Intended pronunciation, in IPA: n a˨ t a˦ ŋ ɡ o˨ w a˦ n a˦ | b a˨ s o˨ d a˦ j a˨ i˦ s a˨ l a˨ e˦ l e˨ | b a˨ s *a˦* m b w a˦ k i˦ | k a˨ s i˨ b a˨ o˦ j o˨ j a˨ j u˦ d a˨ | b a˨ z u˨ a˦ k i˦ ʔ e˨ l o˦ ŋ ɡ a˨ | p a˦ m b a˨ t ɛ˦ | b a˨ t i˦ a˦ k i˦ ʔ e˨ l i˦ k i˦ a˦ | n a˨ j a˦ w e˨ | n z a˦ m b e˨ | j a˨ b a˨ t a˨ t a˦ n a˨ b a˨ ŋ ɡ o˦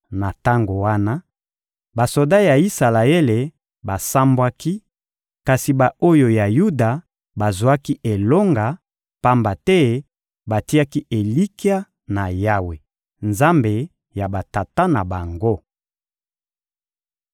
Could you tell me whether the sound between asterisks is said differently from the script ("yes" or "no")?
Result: no